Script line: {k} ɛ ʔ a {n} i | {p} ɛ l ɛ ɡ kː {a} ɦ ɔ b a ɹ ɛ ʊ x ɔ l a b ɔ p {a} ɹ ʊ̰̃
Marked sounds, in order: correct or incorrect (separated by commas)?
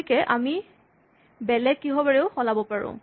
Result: correct, incorrect, incorrect, incorrect, correct